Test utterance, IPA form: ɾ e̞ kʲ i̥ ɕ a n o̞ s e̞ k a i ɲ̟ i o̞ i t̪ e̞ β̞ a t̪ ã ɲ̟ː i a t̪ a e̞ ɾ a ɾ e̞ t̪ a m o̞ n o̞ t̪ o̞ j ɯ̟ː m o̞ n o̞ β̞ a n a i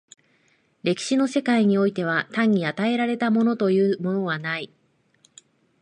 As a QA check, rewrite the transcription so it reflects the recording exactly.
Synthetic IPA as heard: ɾ e̞ kʲ i̥ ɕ i n o̞ s e̞ k a i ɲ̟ i o̞ i t̪ e̞ β̞ a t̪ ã ɲ̟ː i a t̪ a e̞ ɾ a ɾ e̞ t̪ a m o̞ n o̞ t̪ o̞ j ɯ̟ː m o̞ n o̞ β̞ a n a i

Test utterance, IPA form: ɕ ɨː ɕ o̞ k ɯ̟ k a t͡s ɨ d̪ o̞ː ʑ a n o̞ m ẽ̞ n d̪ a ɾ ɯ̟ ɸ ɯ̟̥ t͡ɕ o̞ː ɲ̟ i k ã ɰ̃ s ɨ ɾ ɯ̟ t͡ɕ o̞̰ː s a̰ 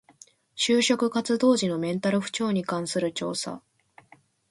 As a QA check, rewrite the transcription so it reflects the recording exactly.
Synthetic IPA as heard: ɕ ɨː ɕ o̞ k ɯ̟ k a t͡s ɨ d̪ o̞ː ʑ i n o̞ m ẽ̞ n t̪ a ɾ ɯ̟ ɸ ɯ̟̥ t͡ɕ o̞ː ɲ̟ i k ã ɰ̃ s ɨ ɾ ɯ̟ t͡ɕ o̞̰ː s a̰

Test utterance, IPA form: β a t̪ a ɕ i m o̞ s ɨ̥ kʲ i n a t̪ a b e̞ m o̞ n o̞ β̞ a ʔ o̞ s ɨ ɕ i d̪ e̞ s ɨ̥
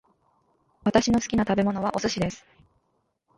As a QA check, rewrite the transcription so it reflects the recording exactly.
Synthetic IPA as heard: β a t̪ a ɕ i n o̞ s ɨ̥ kʲ i n a t̪ a b e̞ m o̞ n o̞ β̞ a ʔ o̞ s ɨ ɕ i d̪ e̞ s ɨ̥

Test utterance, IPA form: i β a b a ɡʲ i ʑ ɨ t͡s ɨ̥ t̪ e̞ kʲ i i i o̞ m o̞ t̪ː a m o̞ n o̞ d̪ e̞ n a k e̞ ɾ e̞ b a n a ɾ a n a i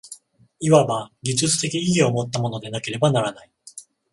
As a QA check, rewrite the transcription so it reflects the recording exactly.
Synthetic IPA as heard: i β a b a ɡʲ i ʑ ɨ t͡s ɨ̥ t̪ e̞ kʲ i i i o̞ m o̞ t̪ː a m o̞ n o̞ d̪ e̞ n a k e̞ ɾ e̞ b a n a ɾ a n a i

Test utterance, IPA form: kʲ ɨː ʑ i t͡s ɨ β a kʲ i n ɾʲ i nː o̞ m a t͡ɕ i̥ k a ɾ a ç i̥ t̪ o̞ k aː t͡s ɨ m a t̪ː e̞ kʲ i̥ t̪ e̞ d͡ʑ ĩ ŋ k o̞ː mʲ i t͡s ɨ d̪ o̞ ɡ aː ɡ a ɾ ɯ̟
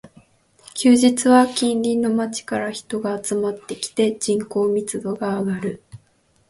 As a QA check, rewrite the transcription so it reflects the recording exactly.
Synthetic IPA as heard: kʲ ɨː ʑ i t͡s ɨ β a kʲ ĩ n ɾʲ i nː o̞ m a t͡ɕ i̥ k a ɾ a ç i̥ t̪ o̞ ɡ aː t͡s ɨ m a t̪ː e̞ kʲ i̥ t̪ e̞ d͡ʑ ĩ ŋ k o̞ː mʲ i t͡s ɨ d̪ o̞ ɡ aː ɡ a ɾ ɯ̟

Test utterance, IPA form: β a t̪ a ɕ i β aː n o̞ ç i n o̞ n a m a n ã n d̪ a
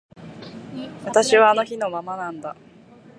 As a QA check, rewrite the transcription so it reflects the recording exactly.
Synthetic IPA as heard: β a t̪ a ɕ i β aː n o̞ ç i n o̞ m a m a n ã n d̪ a

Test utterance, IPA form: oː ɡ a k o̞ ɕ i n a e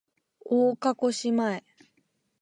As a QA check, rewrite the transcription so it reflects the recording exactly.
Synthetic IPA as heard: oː k a k o̞ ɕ i m a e

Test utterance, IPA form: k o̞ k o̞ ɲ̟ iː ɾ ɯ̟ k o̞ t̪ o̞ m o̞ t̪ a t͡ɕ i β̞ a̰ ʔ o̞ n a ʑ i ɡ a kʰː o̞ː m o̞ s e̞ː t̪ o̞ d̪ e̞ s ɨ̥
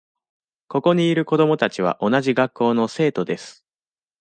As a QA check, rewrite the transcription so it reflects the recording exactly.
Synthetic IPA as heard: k o̞ k o̞ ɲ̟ iː ɾ ɯ̟ k o̞ d̪ o̞ m o̞ t̪ a t͡ɕ i β̞ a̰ ʔ o̞ n a ʑ i ɡ a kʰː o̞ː n o̞ s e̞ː t̪ o̞ d̪ e̞ s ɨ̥

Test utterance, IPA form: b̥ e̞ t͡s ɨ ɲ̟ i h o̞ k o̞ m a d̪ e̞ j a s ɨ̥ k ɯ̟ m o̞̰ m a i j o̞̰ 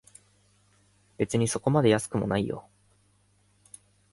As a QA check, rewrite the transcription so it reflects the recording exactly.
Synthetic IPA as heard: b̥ e̞ t͡s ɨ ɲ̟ i s o̞ k o̞ m a d̪ e̞ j a s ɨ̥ k ɯ̟ m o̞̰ n a i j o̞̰

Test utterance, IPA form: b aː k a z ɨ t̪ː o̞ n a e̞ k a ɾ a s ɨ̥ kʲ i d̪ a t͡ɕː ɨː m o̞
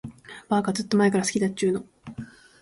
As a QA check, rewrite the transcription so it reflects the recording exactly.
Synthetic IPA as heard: b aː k a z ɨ t̪ː o̞ m a e̞ k a ɾ a s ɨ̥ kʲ i d̪ a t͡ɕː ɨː n o̞

